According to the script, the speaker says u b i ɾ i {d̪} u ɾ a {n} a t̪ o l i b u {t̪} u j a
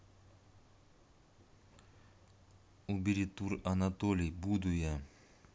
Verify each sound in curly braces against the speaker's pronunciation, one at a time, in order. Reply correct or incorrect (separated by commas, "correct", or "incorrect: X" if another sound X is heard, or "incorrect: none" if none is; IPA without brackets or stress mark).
incorrect: t̪, correct, incorrect: d̪